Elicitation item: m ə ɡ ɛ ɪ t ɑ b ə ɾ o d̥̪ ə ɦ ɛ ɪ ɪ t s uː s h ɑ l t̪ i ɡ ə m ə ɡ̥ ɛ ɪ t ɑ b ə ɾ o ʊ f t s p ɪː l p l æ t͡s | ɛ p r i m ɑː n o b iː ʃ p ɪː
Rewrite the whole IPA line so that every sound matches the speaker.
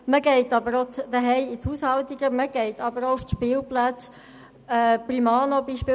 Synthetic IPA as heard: m ə ɡ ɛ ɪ t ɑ b ə ɾ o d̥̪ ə ɦ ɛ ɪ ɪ t h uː s h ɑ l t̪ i ɡ ə m ə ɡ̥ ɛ ɪ t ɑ b ə ɾ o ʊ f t ʃ p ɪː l p l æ t͡s | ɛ p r i m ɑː n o b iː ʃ p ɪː